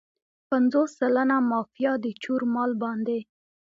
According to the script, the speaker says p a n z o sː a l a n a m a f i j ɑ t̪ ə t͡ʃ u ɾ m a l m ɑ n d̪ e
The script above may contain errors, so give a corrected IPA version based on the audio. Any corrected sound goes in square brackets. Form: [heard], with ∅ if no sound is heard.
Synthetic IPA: p a n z o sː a l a n a m [ɑ] f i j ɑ [d̪] ə t͡ʃ u ɾ m [ɑ] l [b] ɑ n d̪ e